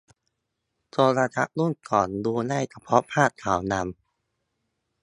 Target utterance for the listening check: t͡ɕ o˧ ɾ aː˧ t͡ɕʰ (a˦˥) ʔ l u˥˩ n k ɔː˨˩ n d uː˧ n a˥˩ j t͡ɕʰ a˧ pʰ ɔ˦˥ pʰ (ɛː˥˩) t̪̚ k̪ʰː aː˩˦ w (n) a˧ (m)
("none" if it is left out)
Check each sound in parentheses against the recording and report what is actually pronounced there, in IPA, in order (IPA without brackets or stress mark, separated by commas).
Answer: a˦˥, aː˥˩, n, m